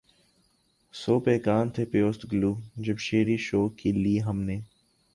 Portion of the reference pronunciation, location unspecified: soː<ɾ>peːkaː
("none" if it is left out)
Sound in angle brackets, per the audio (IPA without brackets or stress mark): none